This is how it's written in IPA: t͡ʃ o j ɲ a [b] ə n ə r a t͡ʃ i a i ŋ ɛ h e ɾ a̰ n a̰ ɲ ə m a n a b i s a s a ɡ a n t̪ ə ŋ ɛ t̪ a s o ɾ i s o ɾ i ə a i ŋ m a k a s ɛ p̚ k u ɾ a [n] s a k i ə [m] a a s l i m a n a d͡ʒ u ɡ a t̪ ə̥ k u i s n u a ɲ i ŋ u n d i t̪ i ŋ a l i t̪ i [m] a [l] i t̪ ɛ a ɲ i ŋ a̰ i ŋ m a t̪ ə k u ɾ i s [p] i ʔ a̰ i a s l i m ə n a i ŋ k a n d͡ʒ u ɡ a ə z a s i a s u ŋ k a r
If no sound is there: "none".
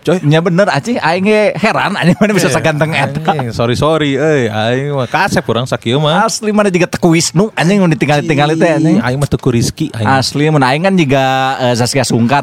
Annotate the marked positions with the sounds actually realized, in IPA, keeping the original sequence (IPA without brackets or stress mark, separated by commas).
b, ŋ, m, ŋ, l, k